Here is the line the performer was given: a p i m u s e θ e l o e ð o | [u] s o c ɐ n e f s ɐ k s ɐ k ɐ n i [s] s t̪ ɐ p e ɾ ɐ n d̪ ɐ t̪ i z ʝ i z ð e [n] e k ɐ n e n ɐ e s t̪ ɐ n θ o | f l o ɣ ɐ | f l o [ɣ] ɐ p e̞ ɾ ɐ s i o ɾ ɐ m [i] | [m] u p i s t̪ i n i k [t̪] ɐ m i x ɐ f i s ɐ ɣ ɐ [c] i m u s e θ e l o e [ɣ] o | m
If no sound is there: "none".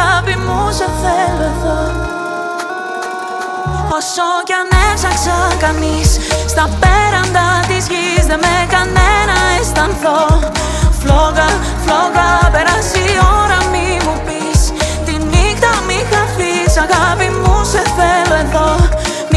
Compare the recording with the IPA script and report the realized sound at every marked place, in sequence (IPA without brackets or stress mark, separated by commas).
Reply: o, s, m, ɣ, i, m, t̪, p, ð